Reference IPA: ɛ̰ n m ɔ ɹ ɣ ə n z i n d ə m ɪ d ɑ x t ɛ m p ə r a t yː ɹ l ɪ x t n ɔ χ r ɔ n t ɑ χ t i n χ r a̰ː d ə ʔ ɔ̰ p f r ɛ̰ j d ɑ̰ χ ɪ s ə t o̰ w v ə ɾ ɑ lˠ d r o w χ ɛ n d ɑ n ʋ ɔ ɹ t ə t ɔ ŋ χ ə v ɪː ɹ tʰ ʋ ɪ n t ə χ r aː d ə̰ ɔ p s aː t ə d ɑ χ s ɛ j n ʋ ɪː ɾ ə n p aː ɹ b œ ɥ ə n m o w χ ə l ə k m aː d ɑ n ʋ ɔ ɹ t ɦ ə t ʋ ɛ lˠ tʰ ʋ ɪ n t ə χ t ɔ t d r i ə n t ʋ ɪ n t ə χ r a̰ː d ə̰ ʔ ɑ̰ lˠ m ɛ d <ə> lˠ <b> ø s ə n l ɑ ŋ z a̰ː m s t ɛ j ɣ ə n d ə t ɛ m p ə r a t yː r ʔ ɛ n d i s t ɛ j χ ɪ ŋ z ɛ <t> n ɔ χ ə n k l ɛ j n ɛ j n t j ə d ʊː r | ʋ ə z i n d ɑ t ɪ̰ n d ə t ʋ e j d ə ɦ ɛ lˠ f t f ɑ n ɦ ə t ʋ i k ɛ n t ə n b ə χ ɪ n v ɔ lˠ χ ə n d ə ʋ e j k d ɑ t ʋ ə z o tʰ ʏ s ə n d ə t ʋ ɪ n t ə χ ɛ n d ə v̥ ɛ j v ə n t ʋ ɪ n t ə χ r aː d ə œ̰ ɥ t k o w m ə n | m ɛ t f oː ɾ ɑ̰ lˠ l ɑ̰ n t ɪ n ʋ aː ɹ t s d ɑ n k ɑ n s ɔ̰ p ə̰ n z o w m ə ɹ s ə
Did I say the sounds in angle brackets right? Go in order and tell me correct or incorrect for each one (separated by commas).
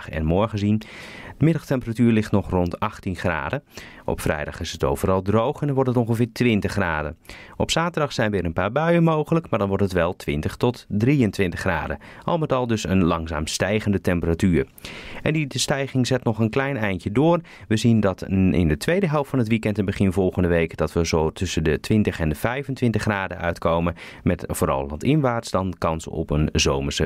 incorrect, incorrect, correct